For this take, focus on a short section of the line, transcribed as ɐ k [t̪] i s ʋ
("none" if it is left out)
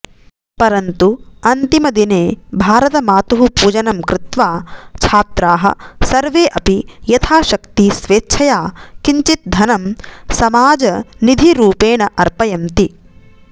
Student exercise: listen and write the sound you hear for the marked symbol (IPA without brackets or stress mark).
t̪